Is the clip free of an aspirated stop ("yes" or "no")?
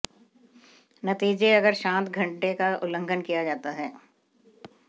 yes